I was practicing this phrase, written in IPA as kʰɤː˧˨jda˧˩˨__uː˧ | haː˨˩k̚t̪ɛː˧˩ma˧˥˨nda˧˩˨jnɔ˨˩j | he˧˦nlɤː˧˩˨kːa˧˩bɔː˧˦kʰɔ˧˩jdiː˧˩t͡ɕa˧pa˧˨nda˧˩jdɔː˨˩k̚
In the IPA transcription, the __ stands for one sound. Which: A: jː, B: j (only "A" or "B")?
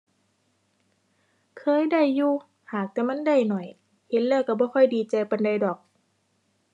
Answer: A